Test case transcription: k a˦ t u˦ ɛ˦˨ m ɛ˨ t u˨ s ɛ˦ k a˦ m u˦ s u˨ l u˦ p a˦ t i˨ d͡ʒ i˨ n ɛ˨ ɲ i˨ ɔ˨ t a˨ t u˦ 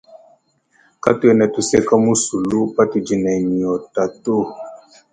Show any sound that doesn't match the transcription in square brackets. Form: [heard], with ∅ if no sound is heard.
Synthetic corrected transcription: k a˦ t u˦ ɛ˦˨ [n] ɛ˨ t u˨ s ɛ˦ k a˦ m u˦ s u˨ l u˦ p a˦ t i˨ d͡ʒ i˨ n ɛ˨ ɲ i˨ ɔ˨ t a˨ t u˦